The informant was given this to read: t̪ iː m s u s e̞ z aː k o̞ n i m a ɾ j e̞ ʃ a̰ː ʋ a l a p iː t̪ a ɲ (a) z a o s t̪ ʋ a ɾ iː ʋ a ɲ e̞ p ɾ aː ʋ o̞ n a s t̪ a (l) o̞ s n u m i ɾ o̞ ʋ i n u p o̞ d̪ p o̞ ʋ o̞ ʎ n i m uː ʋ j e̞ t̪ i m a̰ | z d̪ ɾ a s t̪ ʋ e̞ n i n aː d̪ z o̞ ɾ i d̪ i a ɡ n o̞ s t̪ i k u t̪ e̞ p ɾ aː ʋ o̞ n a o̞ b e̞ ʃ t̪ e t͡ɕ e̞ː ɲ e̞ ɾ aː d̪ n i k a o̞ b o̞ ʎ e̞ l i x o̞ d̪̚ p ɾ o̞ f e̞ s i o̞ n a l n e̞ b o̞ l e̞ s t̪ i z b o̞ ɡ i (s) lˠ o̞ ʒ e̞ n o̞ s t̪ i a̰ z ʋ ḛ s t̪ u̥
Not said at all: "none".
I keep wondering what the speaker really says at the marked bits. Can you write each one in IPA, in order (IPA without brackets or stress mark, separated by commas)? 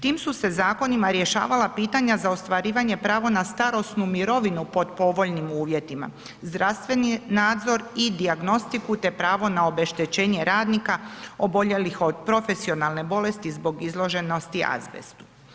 a, ɾ, z